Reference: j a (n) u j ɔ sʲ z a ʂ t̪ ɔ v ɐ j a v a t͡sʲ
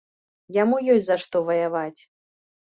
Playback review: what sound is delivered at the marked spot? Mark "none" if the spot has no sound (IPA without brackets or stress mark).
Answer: m